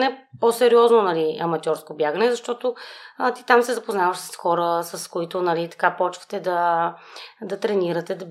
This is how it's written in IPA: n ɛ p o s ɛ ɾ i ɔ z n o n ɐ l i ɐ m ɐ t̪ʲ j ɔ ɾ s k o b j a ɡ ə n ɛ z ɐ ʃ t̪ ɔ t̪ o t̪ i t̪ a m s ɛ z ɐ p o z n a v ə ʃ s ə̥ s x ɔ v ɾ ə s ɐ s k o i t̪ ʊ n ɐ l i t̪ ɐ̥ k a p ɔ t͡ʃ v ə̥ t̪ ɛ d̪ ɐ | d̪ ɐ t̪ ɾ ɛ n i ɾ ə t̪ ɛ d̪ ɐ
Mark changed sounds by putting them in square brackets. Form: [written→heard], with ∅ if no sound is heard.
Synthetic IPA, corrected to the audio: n ɛ p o s ɛ ɾ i ɔ z n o n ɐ l i ɐ m ɐ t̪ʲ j ɔ ɾ s k o b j a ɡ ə n ɛ z ɐ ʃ t̪ ɔ t̪ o t̪ i t̪ a m s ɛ z ɐ p o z n a v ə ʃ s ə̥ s x ɔ [v→∅] ɾ ə s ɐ s k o i t̪ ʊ n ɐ l i t̪ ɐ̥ k a p ɔ t͡ʃ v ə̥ t̪ ɛ d̪ ɐ | d̪ ɐ t̪ ɾ ɛ n i ɾ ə t̪ ɛ d̪ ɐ